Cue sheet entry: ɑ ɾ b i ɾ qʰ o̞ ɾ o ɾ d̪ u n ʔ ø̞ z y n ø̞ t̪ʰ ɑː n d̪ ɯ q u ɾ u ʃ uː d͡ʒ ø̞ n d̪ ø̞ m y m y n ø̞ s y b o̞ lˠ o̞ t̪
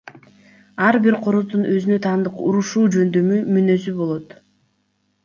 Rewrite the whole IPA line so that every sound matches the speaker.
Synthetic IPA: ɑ ɾ b i ɾ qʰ o̞ ɾ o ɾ d̪ u n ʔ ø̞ z y n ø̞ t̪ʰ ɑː n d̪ ɯ q u ɾ u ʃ uː d͡ʒ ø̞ n d̪ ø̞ m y m y n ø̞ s y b o̞ lˠ o̞ t̪